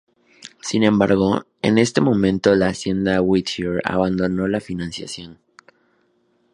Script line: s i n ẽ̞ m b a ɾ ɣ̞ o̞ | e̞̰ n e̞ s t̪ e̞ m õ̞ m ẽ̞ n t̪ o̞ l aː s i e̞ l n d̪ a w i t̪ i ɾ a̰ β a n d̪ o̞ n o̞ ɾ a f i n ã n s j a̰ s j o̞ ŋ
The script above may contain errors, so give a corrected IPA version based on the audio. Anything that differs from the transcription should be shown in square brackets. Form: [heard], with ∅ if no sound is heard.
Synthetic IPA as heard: s i n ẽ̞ m b a ɾ ɣ̞ o̞ | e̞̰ n e̞ s t̪ e̞ m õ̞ m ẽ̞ n t̪ o̞ l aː s [j] e̞ [∅] n d̪ a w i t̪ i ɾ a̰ β a n d̪ o̞ n o̞ [l] a f i n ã n s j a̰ s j o̞ [n]